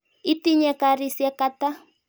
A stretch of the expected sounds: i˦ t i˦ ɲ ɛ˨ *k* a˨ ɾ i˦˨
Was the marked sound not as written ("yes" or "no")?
no